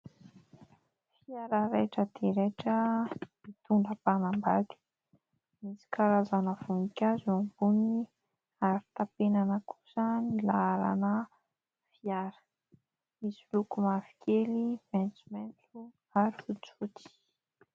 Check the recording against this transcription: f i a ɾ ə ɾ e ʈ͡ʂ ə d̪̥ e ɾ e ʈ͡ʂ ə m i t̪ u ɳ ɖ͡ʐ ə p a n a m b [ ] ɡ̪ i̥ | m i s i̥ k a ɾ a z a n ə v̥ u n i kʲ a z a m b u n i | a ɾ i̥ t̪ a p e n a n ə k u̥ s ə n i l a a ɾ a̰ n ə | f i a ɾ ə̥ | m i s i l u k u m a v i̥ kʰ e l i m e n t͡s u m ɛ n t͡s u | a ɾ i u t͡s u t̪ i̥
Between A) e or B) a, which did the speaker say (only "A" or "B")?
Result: B